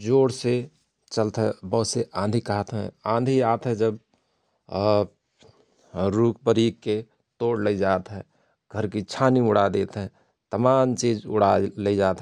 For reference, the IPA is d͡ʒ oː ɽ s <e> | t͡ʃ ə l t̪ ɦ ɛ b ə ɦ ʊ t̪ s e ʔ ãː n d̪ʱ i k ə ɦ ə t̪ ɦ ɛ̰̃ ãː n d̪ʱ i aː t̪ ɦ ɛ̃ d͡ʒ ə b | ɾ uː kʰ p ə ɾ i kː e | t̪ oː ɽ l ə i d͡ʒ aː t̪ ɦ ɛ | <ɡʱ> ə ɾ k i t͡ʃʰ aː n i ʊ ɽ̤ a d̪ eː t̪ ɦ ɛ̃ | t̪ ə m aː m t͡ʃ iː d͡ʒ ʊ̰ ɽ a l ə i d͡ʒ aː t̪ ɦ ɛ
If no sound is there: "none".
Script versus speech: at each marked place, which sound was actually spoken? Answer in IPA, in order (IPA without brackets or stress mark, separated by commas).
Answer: e, ɡʱ